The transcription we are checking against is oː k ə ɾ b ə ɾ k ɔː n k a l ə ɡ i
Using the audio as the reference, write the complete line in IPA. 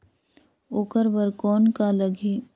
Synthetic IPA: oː k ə ɾ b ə ɾ k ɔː n k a l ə ɡ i